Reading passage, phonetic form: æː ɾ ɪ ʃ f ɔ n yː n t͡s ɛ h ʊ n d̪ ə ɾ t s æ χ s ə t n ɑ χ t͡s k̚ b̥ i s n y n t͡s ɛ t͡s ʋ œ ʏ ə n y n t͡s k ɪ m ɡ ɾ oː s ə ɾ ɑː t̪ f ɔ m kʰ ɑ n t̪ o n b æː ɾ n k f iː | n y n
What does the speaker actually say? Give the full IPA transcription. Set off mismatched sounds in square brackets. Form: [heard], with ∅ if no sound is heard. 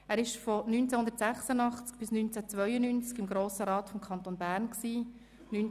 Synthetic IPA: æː ɾ ɪ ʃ f ɔ n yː n t͡s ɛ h ʊ n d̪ ə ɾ t s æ χ s ə [∅] n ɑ χ t͡s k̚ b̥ [ɪ] s n y n t͡s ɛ t͡s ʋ œ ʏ ə n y n t͡s k ɪ m ɡ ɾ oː s ə ɾ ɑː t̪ f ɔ m kʰ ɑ n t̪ o n b æː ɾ n k [s] iː | n y n